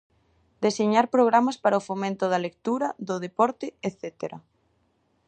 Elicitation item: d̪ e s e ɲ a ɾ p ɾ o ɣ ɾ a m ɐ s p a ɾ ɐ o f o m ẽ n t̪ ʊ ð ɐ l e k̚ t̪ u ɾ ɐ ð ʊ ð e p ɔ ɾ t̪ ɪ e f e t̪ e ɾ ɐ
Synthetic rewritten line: d̪ e s e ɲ a ɾ p ɾ o ɣ ɾ a m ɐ s p a ɾ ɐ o f o m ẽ n t̪ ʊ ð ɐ l e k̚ t̪ u ɾ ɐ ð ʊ ð e p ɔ ɾ t̪ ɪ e θ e t̪ e ɾ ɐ